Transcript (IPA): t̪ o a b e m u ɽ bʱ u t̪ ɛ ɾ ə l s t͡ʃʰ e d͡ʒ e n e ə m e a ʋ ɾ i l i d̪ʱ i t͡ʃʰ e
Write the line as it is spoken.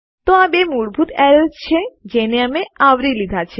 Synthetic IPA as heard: t̪ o a b e m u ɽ bʱ u t̪ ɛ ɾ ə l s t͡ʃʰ e d͡ʒ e n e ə m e a ʋ ɾ i l i d̪ʱ a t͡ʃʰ e